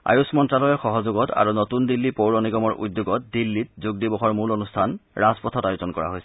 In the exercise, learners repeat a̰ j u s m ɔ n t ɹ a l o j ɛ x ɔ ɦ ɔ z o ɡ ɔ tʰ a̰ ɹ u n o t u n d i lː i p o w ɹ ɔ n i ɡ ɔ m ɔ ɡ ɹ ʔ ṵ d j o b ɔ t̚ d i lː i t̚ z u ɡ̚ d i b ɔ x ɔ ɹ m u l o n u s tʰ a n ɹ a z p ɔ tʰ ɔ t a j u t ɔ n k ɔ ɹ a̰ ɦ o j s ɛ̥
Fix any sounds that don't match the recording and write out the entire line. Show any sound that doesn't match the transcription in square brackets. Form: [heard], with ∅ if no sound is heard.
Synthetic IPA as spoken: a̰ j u s m ɔ n t ɹ a l [ɔ] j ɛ x ɔ ɦ ɔ z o ɡ ɔ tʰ a̰ ɹ u n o t u n d i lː i p o w ɹ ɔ n i ɡ ɔ m ɔ [∅] ɹ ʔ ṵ d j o [ɡ] ɔ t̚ d i lː i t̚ z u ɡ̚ d i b ɔ x ɔ ɹ m u l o n u s tʰ a n ɹ a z p ɔ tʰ ɔ t a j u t ɔ n k ɔ ɹ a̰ ɦ o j s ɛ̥